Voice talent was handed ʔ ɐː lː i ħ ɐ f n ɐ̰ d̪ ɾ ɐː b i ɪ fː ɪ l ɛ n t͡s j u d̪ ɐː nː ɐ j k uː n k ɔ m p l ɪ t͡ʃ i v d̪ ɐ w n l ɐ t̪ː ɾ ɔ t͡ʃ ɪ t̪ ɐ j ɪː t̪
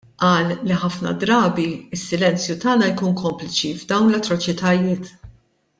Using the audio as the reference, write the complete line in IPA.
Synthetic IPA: ʔ ɐː lː i ħ ɐ f n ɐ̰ d̪ ɾ ɐː b i ɪ sː ɪ l ɛ n t͡s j u t̪ ɐː n ɐ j k uː n k ɔ m p l ɪ t͡ʃ i v d̪ ɐ w n l ɐ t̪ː ɾ ɔ t͡ʃ ɪ t̪ ɐ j ɪː t̪